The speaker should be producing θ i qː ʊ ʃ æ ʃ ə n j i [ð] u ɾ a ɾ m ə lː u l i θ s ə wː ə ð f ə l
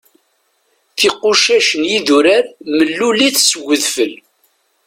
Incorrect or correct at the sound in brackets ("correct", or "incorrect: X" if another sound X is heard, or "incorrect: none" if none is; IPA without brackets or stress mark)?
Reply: correct